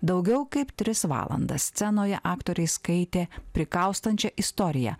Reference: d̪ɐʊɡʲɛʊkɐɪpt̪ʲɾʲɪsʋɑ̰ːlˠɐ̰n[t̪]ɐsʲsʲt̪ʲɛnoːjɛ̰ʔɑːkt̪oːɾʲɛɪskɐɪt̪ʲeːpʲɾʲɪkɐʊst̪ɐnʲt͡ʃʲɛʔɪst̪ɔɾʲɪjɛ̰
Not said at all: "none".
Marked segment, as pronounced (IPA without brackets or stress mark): d̪